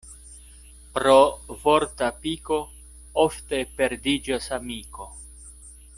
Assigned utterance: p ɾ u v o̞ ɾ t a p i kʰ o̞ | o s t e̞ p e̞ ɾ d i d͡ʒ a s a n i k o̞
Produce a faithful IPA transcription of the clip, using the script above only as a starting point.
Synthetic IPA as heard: p ɾ o v o̞ ɾ t a p i k o̞ | o f t e̞ p e̞ ɾ d i d͡ʒ a s a m i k o̞